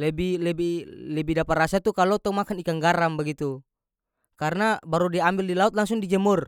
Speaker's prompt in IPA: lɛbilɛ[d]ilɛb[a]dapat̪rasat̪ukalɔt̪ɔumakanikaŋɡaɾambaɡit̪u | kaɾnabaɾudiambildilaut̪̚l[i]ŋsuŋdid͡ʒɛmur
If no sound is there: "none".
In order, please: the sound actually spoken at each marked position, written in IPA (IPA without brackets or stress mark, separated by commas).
b, i, a